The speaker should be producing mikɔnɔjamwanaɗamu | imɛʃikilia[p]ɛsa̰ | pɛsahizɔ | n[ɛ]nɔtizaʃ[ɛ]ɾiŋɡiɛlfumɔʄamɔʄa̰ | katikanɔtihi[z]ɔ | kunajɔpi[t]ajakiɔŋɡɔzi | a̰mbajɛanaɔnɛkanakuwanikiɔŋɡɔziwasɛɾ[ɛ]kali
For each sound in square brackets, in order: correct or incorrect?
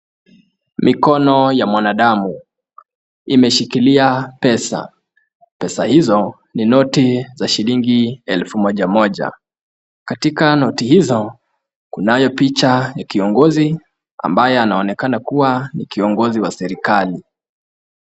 correct, incorrect, incorrect, correct, incorrect, incorrect

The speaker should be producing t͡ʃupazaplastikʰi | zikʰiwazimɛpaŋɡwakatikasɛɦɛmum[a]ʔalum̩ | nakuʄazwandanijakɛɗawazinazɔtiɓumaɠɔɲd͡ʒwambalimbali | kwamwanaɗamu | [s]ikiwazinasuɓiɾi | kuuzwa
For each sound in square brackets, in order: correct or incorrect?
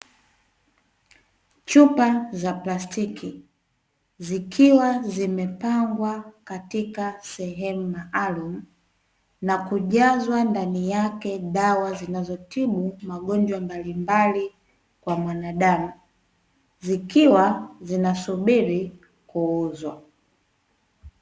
correct, incorrect

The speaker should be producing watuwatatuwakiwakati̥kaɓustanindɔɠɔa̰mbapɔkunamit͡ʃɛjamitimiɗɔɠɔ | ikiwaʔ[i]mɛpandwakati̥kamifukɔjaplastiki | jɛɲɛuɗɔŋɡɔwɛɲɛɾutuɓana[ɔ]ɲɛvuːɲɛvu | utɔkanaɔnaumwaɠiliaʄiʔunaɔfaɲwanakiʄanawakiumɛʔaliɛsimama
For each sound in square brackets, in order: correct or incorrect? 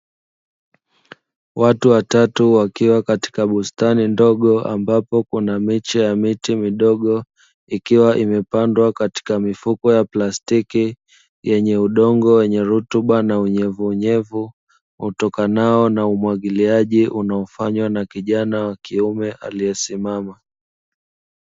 correct, incorrect

